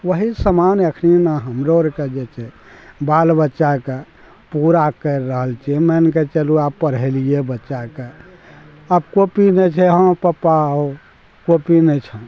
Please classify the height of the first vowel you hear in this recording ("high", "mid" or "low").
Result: mid